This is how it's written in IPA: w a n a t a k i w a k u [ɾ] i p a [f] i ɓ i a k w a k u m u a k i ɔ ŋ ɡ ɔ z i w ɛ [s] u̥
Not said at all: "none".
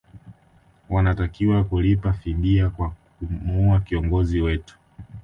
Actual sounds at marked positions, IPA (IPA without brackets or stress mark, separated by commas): l, f, t